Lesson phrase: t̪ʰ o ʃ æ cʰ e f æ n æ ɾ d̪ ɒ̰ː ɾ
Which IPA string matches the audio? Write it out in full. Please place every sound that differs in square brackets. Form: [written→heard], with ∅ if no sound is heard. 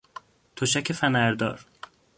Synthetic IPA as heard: t̪ʰ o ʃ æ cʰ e f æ n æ ɾ d̪ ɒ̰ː ɾ